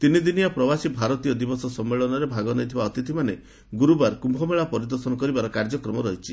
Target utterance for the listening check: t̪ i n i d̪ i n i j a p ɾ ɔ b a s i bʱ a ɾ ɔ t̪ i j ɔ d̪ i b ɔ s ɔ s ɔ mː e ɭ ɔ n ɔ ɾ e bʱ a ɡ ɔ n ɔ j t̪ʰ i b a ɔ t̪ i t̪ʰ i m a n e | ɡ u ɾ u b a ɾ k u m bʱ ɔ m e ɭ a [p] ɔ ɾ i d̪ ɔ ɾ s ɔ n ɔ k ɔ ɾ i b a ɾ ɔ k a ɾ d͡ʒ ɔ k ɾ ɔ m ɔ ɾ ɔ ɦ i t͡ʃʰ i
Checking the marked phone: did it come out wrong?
no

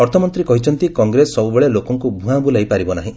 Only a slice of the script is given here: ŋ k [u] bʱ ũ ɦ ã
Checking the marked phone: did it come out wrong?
no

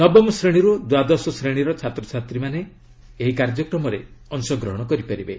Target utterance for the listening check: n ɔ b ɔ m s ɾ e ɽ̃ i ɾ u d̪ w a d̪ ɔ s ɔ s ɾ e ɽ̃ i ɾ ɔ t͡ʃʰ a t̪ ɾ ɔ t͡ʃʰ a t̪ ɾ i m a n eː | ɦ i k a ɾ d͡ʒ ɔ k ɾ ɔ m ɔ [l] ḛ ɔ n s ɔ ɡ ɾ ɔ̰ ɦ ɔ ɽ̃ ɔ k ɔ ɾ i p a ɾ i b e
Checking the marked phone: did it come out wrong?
yes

